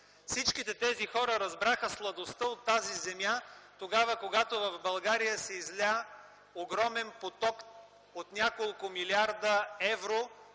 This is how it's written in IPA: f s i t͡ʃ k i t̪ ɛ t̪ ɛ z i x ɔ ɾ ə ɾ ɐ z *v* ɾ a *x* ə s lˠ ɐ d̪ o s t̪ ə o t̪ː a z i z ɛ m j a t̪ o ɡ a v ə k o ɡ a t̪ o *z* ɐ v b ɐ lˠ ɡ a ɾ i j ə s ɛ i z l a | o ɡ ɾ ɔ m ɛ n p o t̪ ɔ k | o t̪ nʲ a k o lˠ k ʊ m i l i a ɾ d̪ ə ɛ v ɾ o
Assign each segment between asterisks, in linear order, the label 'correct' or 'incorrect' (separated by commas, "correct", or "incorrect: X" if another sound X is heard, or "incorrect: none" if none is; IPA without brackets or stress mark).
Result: incorrect: b, correct, incorrect: v